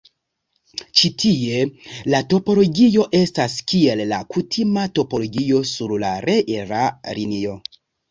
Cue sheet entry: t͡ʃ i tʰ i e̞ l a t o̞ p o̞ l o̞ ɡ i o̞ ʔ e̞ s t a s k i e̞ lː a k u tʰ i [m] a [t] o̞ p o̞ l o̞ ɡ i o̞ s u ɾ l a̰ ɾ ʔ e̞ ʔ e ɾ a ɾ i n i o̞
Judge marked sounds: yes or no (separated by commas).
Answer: yes, yes